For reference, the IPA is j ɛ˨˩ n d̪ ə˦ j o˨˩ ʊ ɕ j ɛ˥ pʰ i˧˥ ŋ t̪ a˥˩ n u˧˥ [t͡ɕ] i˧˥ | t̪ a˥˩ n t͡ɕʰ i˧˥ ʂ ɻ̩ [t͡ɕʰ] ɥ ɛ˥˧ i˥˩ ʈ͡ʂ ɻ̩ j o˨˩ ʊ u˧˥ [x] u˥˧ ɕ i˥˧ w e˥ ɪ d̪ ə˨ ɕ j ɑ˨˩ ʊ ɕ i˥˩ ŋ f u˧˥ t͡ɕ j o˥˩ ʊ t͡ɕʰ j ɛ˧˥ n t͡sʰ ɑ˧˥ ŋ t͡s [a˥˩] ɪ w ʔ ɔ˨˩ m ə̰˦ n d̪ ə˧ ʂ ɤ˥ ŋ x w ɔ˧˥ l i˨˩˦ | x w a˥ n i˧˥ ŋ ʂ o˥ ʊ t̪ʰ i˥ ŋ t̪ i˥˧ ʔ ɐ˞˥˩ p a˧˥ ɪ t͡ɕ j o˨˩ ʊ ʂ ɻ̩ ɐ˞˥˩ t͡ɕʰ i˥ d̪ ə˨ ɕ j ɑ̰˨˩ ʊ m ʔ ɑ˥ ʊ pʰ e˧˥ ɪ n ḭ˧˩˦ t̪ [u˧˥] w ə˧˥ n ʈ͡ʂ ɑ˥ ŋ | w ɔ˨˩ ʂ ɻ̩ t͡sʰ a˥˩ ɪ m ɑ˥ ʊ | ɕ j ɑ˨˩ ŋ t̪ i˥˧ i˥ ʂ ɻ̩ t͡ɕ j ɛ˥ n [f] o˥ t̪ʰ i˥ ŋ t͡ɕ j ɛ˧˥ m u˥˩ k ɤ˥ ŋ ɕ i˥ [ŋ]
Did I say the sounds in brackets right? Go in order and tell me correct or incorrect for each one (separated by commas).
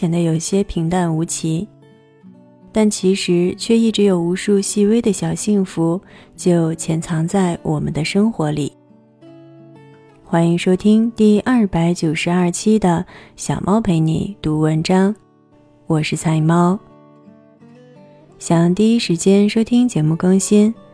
incorrect, correct, incorrect, correct, correct, incorrect, incorrect